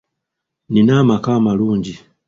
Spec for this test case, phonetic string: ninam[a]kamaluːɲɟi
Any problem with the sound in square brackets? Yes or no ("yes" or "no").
no